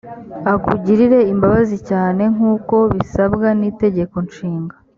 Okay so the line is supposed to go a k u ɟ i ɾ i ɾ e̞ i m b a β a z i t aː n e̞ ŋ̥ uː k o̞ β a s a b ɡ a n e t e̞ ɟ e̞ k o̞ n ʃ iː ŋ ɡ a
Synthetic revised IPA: a k u ɟ i ɾ i ɾ e̞ i m b a β a z i c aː n e̞ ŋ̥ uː k o̞ β i s a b ɡ a n i t e̞ ɟ e̞ k o̞ n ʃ iː ŋ ɡ a